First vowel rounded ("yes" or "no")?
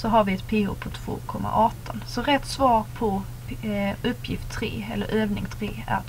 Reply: yes